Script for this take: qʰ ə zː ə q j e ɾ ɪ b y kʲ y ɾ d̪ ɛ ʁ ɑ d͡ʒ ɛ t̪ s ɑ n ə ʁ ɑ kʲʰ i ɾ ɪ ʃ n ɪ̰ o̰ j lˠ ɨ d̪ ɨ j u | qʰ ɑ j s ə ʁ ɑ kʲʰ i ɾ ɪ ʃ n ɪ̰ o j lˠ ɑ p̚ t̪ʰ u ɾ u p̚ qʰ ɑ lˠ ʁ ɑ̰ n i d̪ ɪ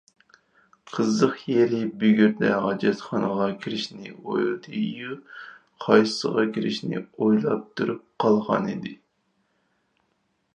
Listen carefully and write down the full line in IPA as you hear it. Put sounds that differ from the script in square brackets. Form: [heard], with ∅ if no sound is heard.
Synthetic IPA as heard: qʰ ə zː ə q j e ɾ ɪ b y [ɡʲ] y ɾ d̪ ɛ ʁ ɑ d͡ʒ ɛ t̪ [χ] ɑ n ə ʁ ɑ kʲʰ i ɾ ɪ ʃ n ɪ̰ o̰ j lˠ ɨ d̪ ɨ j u | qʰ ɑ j s ə ʁ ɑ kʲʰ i ɾ ɪ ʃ n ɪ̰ o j lˠ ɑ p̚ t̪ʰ u ɾ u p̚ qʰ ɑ lˠ ʁ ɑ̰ n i d̪ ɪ